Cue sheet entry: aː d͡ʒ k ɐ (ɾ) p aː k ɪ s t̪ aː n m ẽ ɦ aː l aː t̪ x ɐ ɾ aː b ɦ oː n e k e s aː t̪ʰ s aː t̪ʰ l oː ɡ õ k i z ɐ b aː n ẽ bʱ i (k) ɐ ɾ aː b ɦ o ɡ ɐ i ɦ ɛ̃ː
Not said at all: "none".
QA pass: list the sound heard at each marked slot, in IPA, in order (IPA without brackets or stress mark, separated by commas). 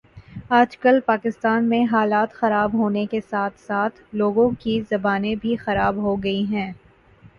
l, x